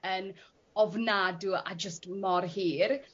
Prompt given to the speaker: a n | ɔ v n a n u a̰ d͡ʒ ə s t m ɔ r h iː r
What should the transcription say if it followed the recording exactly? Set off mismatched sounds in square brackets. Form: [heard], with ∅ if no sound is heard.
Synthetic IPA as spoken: [ə] n | ɔ v n a [d] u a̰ d͡ʒ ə s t m ɔ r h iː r